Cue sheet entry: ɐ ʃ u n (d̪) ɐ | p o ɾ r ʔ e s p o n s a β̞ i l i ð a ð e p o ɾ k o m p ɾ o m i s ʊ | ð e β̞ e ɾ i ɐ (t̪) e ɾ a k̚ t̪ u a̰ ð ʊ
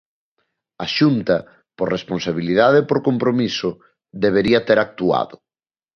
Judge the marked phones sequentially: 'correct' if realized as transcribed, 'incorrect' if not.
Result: incorrect: t̪, correct

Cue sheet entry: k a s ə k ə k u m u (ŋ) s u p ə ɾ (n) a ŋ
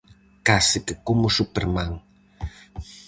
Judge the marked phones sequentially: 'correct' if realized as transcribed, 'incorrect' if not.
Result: incorrect: none, incorrect: m

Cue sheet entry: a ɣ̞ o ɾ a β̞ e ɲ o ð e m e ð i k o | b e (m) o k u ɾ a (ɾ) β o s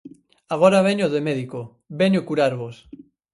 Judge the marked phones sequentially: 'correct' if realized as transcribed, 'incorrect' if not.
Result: incorrect: ɲ, correct

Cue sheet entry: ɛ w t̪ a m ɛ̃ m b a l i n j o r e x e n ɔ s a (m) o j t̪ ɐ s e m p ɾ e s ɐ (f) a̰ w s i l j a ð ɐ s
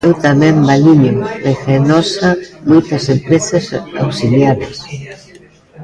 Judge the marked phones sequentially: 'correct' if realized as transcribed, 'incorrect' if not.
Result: correct, incorrect: s

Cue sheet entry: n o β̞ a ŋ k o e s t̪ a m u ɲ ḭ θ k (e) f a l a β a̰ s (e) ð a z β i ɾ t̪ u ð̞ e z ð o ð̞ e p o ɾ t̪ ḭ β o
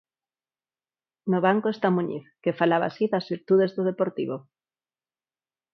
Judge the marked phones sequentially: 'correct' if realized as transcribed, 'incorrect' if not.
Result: correct, incorrect: i

